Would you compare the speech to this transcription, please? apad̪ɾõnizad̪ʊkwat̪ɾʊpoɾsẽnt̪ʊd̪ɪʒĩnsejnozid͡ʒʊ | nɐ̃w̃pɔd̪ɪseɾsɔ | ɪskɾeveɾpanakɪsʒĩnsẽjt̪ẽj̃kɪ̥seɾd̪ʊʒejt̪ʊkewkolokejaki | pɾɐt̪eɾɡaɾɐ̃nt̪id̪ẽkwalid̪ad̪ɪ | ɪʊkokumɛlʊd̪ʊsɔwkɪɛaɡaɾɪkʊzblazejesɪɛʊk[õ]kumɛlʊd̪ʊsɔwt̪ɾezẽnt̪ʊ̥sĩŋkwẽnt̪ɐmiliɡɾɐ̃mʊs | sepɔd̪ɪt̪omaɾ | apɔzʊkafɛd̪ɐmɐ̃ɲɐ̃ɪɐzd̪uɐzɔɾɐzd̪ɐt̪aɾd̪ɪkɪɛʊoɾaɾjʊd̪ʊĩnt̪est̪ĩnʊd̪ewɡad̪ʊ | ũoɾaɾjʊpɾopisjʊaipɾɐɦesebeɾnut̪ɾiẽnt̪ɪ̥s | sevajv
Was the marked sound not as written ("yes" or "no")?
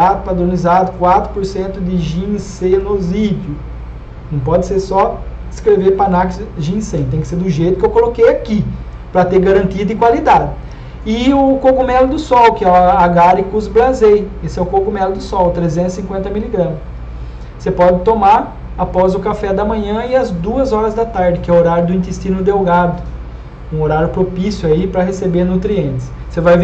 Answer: yes